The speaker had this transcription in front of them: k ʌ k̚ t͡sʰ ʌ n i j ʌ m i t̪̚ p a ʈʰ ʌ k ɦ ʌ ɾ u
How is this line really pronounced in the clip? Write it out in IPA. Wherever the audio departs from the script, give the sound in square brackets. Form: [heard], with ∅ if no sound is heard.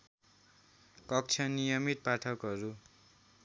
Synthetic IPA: k ʌ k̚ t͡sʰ ʌ n i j ʌ m i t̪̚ p a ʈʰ ʌ k ɦ ʌ ɾ u